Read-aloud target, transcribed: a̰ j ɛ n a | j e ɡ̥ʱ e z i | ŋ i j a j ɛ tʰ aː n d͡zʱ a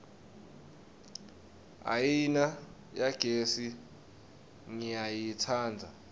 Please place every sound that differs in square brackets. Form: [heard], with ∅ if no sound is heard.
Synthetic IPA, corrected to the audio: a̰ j [i] n a | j [a] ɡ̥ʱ e [s] i | ŋ i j a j [i] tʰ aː n d͡zʱ a

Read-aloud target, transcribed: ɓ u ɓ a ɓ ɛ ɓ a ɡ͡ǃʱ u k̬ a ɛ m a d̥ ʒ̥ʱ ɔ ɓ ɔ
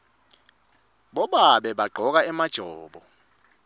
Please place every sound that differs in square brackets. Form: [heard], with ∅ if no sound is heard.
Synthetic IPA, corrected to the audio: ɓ [ɔ] ɓ a ɓ ɛ ɓ a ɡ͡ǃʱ [ɔ] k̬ a ɛ m a d̥ ʒ̥ʱ [ɔː] ɓ ɔ

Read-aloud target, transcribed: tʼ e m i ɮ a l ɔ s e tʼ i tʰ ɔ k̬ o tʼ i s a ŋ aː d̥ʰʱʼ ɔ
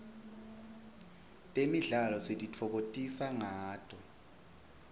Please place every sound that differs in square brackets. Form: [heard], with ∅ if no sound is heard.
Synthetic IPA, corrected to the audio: tʼ e m i ɮ a l ɔ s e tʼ i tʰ ɔ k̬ o tʼ i s a ŋ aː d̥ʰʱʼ ɔ

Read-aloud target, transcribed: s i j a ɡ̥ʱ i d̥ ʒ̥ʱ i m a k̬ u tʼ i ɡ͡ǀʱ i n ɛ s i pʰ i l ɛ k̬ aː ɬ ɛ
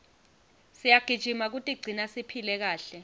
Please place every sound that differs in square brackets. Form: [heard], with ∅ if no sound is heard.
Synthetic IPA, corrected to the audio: s i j a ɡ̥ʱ i d̥ ʒ̥ʱ i m a k̬ u tʼ i ɡ͡ǀʱ i n [a] s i pʰ i l ɛ k̬ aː ɬ ɛ

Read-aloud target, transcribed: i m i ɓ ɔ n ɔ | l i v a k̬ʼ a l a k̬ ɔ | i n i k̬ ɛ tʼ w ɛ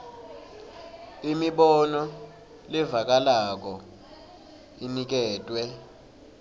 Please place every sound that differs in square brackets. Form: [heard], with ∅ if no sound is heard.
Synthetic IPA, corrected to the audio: i m i ɓ ɔ n ɔ | l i v a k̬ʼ a l a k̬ ɔ | i n i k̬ [ɛː] tʼ w ɛ

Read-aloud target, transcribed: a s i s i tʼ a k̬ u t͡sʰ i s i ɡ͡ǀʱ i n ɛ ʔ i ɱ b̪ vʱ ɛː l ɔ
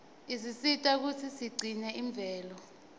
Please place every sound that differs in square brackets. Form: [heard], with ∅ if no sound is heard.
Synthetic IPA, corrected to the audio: [i] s i s i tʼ a k̬ u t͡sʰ i s i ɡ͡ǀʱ i n ɛ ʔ i ɱ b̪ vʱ ɛː l ɔ

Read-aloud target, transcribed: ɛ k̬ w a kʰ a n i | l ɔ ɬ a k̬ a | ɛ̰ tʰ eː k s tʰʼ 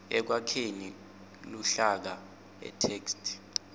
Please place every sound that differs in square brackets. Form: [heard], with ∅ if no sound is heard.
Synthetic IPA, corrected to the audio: ɛ k̬ w a kʰ [e] n i | l [u] ɬ a k̬ a | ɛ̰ tʰ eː k s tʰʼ

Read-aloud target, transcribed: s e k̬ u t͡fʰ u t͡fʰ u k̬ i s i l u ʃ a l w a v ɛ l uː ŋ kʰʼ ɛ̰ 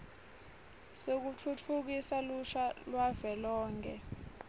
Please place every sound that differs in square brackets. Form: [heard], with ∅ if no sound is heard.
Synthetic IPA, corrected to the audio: s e k̬ u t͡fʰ u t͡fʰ u k̬ i s [a] l u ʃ a l w a v ɛ l [ɔː] ŋ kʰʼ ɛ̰

